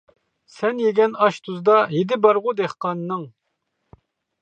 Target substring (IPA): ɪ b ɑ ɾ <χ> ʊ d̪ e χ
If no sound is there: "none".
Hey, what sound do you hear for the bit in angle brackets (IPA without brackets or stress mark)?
ʁ